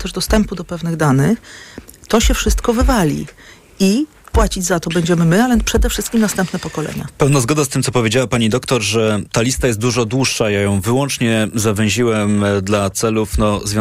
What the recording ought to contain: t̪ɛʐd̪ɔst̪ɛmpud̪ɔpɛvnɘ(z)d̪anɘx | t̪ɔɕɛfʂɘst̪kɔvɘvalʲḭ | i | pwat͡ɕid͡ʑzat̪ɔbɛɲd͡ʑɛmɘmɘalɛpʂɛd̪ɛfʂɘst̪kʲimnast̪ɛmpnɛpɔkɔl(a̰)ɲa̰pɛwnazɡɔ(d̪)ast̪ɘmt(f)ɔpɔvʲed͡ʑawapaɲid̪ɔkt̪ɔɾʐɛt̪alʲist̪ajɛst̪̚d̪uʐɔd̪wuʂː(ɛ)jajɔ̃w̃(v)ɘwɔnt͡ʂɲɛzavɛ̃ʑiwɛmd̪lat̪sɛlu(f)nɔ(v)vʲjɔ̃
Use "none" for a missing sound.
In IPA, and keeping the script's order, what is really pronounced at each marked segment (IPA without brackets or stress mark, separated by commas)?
ɣ, ɛ̰, d̪, s, a, v, f, z